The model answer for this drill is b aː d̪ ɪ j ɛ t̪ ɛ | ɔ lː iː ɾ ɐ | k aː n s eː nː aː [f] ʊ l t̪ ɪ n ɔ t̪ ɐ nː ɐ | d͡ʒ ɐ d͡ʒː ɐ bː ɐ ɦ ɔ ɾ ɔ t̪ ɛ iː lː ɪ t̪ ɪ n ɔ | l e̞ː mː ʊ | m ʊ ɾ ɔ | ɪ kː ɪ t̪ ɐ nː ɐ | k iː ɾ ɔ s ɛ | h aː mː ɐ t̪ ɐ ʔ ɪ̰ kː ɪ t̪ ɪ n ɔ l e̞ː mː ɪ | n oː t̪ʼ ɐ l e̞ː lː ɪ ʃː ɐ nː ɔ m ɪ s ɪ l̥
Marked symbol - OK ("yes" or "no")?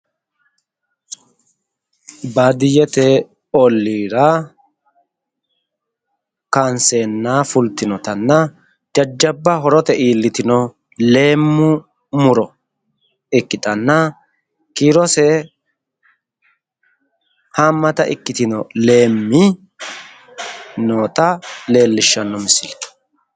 yes